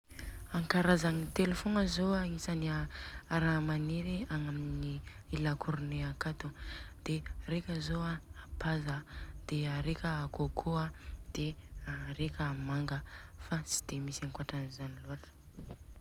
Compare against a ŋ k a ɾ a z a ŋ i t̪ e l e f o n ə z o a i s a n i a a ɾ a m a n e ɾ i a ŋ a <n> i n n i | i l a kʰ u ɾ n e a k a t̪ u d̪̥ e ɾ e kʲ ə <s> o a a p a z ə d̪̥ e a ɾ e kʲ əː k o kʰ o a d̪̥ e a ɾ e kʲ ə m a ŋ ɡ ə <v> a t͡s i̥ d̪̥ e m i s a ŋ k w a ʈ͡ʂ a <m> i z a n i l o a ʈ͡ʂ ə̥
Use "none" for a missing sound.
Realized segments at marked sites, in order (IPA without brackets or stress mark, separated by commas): m, z, f, n